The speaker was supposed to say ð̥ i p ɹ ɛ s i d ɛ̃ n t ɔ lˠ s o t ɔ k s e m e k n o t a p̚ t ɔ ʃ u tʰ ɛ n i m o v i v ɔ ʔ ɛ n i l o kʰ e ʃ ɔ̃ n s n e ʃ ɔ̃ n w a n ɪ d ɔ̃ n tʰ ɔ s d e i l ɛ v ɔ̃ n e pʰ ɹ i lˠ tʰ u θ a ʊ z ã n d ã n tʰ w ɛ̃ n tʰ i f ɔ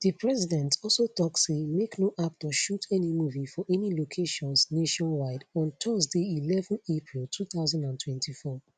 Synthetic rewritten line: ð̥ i p ɹ ɛ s i d ɛ̃ n t ɔ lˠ s o t ɔ k s e m e k n o ʔ a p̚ t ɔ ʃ u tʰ ɛ n i m u v i f ɔ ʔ ɛ n i l o kʰ e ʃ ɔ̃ n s n e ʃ ɔ̃ n w a ɪ d ɔ̃ n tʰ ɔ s d e i l ɛ v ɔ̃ n e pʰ ɹ i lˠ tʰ u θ a ʊ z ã n d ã n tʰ w ɛ̃ n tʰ i f ɔ